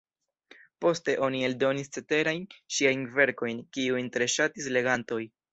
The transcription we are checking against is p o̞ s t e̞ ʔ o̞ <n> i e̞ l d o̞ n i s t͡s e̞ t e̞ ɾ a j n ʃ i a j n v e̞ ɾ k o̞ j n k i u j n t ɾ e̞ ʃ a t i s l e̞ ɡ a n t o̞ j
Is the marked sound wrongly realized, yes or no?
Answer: no